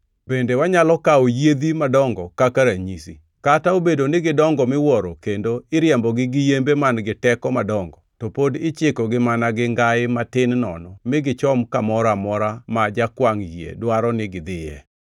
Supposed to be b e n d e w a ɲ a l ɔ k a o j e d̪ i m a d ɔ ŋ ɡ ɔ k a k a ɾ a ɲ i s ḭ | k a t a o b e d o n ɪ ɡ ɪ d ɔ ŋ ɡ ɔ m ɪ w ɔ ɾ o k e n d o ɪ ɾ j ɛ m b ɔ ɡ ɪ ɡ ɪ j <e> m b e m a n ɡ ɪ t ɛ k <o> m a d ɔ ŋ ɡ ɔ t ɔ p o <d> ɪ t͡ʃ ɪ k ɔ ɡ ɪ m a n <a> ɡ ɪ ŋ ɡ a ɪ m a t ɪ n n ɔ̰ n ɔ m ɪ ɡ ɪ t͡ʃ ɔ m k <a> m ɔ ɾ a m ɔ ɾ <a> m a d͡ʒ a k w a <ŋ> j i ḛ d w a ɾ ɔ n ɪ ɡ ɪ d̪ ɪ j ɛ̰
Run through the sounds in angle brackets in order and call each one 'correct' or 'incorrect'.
correct, incorrect: ɔ, correct, correct, correct, correct, correct

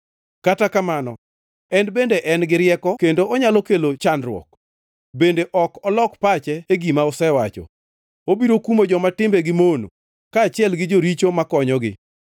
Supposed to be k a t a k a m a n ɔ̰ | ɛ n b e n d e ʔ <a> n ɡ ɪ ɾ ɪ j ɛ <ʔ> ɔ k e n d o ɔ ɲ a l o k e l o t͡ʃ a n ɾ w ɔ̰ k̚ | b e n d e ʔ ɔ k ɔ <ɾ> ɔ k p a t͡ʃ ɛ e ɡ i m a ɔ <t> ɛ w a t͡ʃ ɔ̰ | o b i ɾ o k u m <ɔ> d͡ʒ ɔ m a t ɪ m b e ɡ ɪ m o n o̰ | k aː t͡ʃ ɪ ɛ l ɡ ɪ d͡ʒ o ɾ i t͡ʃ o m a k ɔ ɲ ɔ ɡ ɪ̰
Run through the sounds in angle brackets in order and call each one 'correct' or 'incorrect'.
incorrect: ɛ, incorrect: k, incorrect: l, incorrect: s, incorrect: o

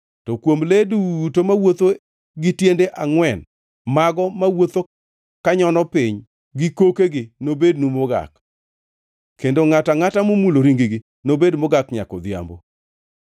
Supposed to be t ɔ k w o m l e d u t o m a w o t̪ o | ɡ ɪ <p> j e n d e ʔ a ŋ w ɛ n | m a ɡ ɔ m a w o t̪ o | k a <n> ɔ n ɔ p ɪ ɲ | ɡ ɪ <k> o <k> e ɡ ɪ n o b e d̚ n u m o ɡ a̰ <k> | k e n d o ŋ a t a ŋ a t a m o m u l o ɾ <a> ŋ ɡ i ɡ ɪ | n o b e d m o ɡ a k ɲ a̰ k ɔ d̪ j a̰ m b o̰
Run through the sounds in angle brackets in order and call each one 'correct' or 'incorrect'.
incorrect: t, incorrect: ɲ, correct, correct, correct, incorrect: i

